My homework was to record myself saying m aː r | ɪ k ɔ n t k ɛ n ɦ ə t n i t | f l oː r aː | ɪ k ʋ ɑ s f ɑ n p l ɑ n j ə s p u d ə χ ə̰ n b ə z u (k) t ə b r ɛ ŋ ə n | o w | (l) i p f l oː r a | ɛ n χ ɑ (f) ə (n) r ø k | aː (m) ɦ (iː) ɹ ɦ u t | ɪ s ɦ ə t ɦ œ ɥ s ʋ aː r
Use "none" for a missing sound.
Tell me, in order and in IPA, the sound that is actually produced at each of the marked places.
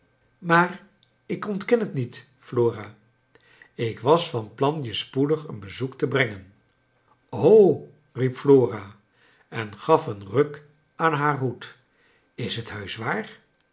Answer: k, r, f, n, n, aː

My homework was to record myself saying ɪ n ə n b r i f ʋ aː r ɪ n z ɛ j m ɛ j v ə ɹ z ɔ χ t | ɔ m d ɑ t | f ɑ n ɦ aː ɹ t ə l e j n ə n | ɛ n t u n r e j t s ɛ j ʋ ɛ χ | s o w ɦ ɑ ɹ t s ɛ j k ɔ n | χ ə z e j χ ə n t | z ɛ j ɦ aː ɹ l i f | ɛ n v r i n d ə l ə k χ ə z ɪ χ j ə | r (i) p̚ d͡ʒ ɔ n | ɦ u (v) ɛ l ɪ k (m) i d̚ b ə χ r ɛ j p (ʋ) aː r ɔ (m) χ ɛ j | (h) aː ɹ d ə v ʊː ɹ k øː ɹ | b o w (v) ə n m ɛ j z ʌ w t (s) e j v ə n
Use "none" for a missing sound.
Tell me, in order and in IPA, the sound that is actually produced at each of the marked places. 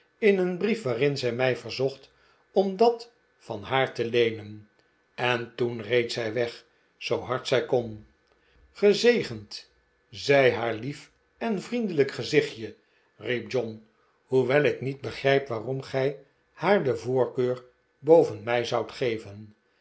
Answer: i, ʋ, n, ʋ, m, h, v, χ

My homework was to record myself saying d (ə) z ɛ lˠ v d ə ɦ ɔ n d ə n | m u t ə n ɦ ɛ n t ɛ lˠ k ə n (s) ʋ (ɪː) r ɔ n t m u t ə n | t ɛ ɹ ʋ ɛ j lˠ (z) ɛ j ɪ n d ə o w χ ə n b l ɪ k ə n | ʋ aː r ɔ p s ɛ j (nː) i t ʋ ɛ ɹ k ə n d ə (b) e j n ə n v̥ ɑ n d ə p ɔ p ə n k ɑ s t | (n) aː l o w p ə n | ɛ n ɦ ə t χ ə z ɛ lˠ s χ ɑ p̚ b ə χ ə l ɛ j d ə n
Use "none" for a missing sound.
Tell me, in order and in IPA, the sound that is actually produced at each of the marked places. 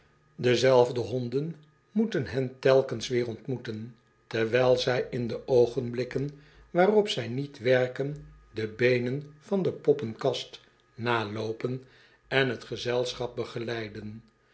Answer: ə, s, ɪː, z, n, b, n

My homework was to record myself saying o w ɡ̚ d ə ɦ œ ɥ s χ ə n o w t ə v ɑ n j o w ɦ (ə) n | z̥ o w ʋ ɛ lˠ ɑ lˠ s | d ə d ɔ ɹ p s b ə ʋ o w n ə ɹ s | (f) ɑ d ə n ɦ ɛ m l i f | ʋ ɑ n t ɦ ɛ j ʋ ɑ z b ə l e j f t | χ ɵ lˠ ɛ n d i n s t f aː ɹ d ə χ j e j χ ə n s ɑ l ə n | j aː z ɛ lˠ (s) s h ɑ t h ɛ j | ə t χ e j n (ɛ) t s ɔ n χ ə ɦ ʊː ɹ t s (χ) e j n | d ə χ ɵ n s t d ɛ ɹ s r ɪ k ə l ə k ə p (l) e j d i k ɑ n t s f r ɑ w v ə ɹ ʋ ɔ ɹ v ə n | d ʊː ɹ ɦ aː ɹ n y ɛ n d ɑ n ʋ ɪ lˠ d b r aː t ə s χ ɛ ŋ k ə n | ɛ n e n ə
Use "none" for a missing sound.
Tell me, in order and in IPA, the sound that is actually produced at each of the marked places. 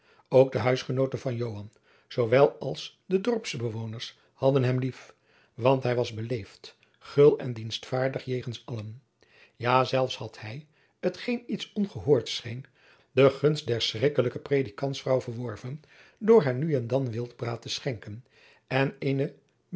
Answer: ɑ, h, f, i, χ, r

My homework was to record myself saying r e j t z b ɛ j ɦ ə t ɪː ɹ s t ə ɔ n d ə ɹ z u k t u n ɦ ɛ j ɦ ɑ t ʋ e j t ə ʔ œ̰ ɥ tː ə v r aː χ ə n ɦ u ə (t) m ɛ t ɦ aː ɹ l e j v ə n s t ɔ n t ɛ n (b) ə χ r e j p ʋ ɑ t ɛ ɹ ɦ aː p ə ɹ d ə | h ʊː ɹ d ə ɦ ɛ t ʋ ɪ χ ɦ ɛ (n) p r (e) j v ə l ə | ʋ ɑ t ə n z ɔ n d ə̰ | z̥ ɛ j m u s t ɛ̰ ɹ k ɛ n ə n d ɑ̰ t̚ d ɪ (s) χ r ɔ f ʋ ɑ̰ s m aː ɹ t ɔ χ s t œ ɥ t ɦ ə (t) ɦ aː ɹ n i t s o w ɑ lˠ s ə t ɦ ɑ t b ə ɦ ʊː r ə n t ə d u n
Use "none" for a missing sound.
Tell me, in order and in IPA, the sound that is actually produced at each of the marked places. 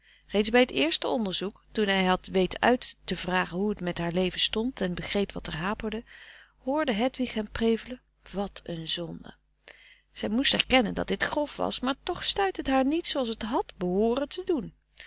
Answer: t, b, m, e, t, t

